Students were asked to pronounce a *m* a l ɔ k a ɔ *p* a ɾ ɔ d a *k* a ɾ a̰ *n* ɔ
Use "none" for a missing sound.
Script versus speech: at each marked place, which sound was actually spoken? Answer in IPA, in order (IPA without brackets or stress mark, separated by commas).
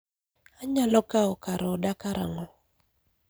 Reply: ɲ, k, k, ŋ